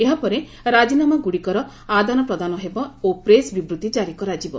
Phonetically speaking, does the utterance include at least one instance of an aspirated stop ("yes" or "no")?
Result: no